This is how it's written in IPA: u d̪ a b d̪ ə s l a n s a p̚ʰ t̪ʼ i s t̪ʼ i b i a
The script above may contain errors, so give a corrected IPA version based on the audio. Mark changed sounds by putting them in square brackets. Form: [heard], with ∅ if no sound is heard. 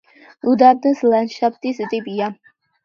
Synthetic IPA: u d̪ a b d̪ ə s l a n [ʃ] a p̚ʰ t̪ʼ i s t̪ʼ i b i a